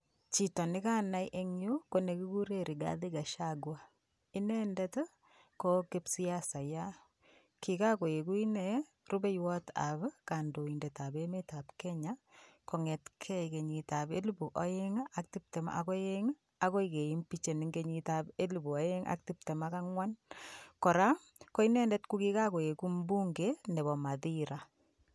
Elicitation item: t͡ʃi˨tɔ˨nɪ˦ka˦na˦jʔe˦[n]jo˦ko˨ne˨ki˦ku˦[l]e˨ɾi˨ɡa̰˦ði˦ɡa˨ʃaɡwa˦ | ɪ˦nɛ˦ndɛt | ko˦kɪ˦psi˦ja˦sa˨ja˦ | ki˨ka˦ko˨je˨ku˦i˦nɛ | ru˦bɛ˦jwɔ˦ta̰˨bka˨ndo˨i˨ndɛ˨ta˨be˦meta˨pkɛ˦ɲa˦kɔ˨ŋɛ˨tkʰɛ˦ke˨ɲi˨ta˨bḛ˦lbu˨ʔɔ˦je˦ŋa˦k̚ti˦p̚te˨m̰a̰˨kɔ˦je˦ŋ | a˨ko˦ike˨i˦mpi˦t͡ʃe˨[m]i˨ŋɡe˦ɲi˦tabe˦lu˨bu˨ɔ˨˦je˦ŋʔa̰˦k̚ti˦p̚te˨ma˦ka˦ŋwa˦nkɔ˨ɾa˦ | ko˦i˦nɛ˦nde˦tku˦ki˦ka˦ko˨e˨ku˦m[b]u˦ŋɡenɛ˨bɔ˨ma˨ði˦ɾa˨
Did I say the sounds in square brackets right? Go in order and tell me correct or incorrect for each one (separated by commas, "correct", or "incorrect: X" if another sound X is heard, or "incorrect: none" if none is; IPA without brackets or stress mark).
incorrect: ŋ, incorrect: ɾ, incorrect: n, correct